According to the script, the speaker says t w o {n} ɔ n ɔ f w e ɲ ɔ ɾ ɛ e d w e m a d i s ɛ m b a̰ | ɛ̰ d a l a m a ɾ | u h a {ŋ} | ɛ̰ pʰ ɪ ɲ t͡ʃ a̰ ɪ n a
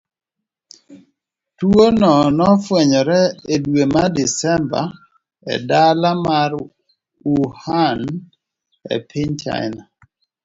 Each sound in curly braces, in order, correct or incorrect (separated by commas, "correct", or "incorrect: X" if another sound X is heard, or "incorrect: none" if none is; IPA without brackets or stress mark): correct, incorrect: n